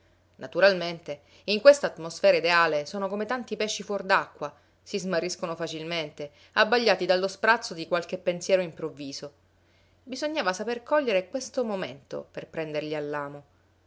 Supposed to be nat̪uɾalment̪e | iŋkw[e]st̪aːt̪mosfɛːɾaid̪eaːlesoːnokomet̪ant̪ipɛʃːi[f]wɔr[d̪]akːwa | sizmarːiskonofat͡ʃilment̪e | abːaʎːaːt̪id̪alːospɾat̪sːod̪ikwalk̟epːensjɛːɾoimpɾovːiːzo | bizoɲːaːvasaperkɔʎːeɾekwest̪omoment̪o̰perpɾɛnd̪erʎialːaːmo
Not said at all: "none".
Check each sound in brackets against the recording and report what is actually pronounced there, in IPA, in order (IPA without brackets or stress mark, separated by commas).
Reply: e, f, d̪